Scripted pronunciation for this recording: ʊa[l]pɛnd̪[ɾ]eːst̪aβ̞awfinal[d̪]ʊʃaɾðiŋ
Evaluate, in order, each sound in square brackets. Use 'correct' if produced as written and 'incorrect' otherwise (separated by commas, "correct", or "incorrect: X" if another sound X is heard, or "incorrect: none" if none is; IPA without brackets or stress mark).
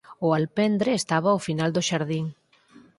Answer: correct, correct, correct